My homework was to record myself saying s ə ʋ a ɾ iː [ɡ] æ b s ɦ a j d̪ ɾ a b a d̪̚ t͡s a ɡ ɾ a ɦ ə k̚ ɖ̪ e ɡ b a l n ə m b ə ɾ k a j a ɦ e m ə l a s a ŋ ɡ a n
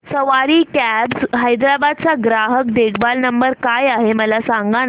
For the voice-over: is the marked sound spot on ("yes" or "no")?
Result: no